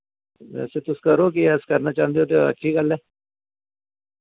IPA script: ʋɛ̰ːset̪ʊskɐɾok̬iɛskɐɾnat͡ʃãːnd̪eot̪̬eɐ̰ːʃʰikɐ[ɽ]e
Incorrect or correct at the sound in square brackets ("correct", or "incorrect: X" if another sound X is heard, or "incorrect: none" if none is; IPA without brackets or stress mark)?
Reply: incorrect: l